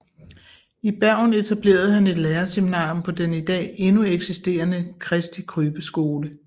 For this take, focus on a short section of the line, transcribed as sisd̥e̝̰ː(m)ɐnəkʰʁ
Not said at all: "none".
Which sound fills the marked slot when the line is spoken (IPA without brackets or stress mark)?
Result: none